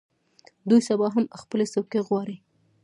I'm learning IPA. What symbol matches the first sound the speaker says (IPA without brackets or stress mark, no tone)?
d̪